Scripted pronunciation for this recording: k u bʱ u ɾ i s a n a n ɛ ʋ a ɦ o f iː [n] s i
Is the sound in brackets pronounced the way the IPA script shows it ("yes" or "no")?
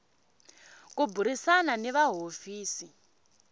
no